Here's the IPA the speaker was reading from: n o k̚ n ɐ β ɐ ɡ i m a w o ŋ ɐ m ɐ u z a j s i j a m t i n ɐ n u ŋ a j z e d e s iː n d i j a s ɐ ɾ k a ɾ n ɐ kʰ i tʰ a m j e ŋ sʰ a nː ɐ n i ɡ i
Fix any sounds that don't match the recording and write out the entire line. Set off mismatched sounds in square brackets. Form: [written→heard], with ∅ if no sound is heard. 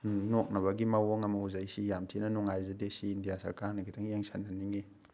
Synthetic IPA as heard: n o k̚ n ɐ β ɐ ɡ i m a w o ŋ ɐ m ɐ u z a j s i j a m [t→tʰ] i n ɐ n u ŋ a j z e d e s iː n d i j a s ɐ ɾ k a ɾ n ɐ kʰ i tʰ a [m→ŋ] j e ŋ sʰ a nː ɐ n i [ɡ→ŋ] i

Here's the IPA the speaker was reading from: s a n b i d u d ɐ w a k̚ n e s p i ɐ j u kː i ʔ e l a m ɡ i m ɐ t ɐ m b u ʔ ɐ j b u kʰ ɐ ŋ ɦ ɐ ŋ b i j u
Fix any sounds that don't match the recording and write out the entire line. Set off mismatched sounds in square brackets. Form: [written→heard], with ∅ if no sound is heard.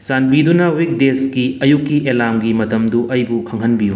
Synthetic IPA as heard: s a n b i d u [d→n] ɐ w [a→i] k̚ [n→d] e s [p→k] i ɐ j u kː i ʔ e l a m ɡ i m ɐ t ɐ m [b→d] u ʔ ɐ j b u kʰ ɐ ŋ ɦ ɐ [ŋ→n] b i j u

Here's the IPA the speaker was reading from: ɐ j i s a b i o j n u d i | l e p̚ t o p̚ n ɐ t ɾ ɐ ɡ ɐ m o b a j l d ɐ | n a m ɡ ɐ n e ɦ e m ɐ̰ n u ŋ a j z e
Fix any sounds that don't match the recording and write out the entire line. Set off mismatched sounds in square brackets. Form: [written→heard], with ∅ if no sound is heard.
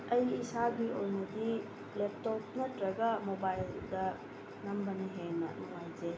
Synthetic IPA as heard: ɐ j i s a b i o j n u d i | l e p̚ t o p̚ n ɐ t ɾ ɐ ɡ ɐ m o b a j l d ɐ | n [a→ɐ] m [ɡ→b] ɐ n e ɦ e [m→n] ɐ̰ n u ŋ a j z e

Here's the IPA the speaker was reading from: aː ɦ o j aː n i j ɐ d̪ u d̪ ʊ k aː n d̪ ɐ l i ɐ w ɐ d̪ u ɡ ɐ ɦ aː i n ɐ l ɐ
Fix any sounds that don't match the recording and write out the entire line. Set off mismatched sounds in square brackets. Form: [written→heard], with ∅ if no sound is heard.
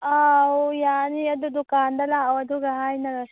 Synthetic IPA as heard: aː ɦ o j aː n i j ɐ d̪ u d̪ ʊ k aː n d̪ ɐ l [i→a] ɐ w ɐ d̪ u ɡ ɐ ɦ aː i n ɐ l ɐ

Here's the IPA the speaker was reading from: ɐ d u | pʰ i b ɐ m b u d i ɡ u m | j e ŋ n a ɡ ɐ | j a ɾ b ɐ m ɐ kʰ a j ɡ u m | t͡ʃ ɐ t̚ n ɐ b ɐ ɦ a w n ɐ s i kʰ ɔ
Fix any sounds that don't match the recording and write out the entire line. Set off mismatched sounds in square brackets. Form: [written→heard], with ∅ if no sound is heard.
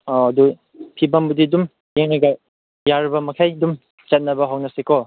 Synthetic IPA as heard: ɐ d u | pʰ i b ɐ m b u d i [ɡ→d] u m | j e ŋ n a ɡ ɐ | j a ɾ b ɐ m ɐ kʰ a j [ɡ→d] u m | t͡ʃ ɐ t̚ n ɐ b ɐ ɦ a w n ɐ s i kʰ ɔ

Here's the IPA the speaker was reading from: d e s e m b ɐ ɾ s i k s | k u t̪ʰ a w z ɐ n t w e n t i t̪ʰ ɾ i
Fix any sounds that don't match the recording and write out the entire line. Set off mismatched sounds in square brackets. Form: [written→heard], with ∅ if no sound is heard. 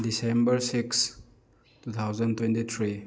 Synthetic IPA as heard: d [e→i] s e m b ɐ ɾ s i k s | [k→t] u t̪ʰ a w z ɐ n t w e n t i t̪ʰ ɾ i

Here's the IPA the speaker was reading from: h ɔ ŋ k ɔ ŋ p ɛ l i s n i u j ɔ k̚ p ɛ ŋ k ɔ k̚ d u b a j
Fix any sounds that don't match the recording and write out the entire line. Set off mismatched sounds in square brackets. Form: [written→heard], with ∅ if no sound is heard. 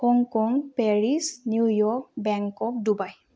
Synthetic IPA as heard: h ɔ ŋ k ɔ ŋ p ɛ [l→ɹ] i s n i u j ɔ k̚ [p→b] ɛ ŋ k ɔ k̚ d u b a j

